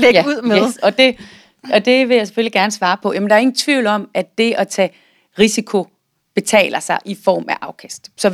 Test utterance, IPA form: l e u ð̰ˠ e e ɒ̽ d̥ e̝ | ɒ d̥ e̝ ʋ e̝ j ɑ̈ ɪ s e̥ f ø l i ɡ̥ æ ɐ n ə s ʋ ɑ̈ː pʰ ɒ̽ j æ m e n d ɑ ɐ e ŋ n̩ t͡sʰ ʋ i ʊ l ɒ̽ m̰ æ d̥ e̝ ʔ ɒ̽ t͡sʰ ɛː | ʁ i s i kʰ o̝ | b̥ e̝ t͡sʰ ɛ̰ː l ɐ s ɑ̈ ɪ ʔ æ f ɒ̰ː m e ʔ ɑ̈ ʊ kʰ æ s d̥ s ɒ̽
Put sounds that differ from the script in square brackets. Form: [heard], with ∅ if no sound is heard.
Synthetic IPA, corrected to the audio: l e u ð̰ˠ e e ɒ̽ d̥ e̝ | ɒ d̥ e̝ ʋ e̝ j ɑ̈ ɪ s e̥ f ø l i ɡ̥ æ ɐ n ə s ʋ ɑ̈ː pʰ ɒ̽ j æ m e n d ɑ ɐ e ŋ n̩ t͡sʰ ʋ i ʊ l ɒ̽ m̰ æ d̥ e̝ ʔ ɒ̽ t͡sʰ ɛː | ʁ i s i kʰ o̝ | b̥ e̝ t͡sʰ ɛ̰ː l ɐ s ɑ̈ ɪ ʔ [i] f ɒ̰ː m [æ] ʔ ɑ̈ ʊ kʰ æ s d̥ s ɒ̽